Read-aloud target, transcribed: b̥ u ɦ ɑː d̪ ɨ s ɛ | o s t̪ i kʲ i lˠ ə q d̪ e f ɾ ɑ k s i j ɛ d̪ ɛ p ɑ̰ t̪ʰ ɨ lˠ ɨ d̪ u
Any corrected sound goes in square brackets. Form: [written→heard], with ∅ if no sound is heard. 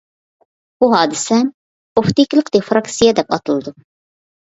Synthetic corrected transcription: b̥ u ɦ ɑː d̪ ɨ s ɛ | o [s→f] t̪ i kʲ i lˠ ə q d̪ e f ɾ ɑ k s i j ɛ d̪ ɛ p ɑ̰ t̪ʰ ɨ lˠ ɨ d̪ u